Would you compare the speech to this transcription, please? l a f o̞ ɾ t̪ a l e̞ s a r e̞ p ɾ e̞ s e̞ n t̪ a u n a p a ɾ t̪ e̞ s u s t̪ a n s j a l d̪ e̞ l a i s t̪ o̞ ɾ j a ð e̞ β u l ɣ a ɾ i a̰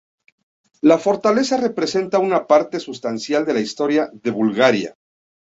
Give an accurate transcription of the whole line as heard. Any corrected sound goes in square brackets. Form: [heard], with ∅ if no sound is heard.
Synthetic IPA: l a f o̞ ɾ t̪ a l e̞ s a r e̞ p ɾ e̞ s e̞ n t̪ a u n a p a ɾ t̪ e̞ s u s t̪ a n s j a l d̪ e̞ l a i s t̪ o̞ ɾ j a ð e̞ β u l ɣ a ɾ [j] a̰